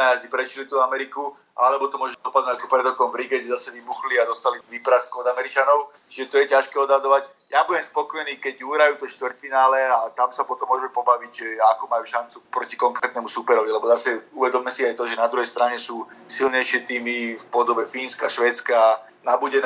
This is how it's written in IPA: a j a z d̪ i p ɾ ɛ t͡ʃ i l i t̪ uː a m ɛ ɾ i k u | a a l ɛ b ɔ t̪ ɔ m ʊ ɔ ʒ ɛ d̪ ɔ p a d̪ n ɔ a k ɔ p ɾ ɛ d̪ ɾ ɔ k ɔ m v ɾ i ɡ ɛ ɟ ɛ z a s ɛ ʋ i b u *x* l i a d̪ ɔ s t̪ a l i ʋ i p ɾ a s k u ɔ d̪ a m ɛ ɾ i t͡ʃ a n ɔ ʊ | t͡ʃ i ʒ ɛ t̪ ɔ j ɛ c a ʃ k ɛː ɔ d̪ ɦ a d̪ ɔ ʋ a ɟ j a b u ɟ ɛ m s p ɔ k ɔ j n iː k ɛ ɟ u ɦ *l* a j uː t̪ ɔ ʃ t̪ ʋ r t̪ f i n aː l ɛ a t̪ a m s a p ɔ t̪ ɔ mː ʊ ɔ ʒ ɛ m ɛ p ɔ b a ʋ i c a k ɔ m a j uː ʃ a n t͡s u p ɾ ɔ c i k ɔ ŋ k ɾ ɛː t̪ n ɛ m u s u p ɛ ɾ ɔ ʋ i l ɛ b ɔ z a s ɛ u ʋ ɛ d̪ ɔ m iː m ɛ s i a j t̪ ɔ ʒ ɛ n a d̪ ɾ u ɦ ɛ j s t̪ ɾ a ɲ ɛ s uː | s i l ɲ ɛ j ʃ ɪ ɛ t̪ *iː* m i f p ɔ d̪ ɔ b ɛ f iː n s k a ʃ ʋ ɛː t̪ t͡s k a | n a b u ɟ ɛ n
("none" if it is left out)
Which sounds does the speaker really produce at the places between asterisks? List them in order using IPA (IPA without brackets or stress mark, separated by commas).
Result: x, ɾ, iː